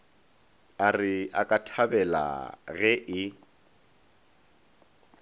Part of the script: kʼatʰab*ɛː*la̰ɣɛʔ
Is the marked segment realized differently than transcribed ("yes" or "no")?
yes